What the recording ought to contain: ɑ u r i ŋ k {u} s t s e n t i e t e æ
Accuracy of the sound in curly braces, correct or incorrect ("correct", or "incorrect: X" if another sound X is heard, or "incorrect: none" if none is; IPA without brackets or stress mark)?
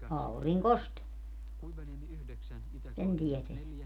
incorrect: o